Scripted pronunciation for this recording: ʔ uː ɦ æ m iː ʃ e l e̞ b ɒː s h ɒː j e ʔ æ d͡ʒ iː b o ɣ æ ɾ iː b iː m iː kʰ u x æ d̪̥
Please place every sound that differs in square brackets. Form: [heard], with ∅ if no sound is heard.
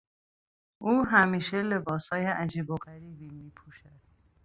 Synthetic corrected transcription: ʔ uː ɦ æ m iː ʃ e l e̞ b ɒː s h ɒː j e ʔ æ d͡ʒ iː b o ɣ æ ɾ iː b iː m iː [pʰ] u [ʃ] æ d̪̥

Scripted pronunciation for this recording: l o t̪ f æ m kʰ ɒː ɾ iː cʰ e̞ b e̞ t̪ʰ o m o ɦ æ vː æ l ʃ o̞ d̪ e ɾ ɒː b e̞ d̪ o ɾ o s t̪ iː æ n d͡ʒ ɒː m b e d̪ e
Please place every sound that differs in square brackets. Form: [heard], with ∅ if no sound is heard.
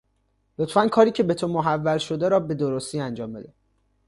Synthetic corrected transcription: l o t̪ f æ [n] kʰ ɒː ɾ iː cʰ e̞ b e̞ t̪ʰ o m o ɦ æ vː æ l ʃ o̞ d̪ e ɾ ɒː b e̞ d̪ o ɾ o s t̪ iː æ n d͡ʒ ɒː m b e d̪ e

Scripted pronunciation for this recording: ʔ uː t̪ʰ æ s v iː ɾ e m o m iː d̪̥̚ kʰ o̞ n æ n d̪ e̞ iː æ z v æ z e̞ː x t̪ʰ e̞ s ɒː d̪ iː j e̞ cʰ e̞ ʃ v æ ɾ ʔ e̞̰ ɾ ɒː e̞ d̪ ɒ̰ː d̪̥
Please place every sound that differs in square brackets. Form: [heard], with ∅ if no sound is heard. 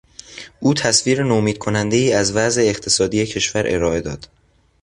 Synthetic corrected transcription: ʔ uː t̪ʰ æ s v iː ɾ e [n] o m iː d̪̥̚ kʰ o̞ n æ n d̪ e̞ iː æ z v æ z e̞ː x t̪ʰ e̞ s ɒː d̪ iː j e̞ cʰ e̞ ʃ v æ ɾ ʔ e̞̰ ɾ ɒː e̞ d̪ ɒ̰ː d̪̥

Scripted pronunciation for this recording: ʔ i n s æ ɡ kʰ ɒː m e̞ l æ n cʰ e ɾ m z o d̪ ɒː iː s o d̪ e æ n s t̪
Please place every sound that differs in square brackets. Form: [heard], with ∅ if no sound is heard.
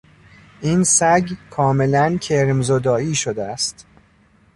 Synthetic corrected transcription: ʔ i n s æ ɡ kʰ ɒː m e̞ l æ n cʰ e ɾ m z o d̪ ɒː iː [ʃ] o d̪ e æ [∅] s t̪

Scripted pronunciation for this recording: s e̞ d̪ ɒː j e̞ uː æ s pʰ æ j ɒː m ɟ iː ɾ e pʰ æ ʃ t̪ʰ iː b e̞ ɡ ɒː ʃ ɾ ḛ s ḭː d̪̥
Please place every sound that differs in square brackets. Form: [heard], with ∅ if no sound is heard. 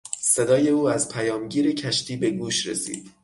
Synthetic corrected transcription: s e̞ d̪ ɒː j e̞ uː æ [z] pʰ æ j ɒː m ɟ iː ɾ e [cʰ] æ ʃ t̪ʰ iː b e̞ ɡ [uː] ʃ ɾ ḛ s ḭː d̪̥

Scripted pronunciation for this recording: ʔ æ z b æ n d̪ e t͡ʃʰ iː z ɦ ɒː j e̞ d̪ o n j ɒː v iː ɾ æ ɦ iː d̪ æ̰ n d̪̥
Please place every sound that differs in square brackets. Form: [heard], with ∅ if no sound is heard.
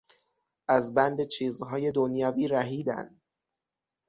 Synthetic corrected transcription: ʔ æ z b æ n d̪ e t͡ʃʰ iː z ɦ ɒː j e̞ d̪ o n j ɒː v iː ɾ æ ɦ iː d̪ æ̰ n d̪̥

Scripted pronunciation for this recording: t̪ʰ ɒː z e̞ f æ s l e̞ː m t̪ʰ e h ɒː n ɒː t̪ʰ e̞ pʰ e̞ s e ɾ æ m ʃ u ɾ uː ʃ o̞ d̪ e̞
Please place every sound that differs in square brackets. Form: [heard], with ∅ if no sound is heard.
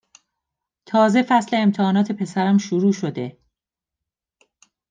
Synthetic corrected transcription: t̪ʰ ɒː z e̞ f æ s l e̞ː m t̪ʰ e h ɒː n ɒː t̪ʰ e̞ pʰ e̞ s [æ] ɾ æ m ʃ u ɾ uː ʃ o̞ d̪ e̞

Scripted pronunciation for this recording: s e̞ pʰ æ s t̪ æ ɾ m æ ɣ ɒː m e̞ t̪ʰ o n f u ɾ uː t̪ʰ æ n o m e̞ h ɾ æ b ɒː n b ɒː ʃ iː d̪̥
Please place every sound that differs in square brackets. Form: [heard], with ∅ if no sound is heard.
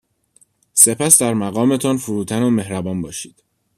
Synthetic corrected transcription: s e̞ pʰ æ s [d̪] æ ɾ m æ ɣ ɒː m e̞ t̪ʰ [ɒ] n f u ɾ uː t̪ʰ æ n o m e̞ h ɾ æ b ɒː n b ɒː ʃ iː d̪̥

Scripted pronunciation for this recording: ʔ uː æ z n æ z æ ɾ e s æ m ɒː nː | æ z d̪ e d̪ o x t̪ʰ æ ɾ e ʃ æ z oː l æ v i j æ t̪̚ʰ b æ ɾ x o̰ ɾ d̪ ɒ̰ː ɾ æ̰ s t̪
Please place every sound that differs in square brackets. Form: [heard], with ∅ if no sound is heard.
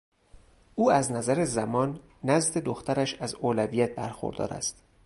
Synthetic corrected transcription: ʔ uː æ z n æ z æ ɾ e [z] æ m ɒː nː | æ z d̪ e d̪ o x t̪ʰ æ ɾ [æ] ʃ æ z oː l æ v i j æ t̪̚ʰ b æ ɾ x o̰ ɾ d̪ ɒ̰ː ɾ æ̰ s t̪

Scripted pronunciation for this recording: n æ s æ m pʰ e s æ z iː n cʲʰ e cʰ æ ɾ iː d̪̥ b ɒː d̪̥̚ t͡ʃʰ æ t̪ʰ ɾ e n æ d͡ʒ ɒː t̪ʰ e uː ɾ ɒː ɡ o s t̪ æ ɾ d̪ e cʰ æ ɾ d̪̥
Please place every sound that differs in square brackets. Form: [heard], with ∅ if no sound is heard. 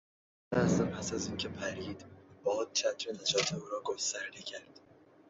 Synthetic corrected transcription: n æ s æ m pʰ [æ] s æ z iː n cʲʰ e [pʰ] æ ɾ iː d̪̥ b ɒː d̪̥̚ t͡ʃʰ æ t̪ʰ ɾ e n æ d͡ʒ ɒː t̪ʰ e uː ɾ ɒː ɡ o s t̪ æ ɾ d̪ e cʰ æ ɾ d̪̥

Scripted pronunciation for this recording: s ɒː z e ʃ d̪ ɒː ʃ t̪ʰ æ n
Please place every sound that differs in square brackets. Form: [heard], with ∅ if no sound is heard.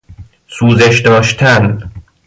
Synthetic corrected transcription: s [uː] z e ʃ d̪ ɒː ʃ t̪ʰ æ n

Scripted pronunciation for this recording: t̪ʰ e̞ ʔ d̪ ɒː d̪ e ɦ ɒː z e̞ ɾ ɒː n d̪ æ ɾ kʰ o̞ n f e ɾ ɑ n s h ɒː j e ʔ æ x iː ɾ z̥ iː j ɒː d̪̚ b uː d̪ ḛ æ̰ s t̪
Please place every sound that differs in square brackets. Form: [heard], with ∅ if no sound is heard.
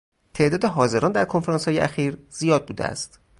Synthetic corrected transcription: t̪ʰ e̞ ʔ d̪ ɒː d̪ e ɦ ɒː z e̞ ɾ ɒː n d̪ æ ɾ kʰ o̞ n f e ɾ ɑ n s h ɒː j e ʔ æ x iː ɾ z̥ [i] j ɒː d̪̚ b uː d̪ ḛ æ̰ s t̪

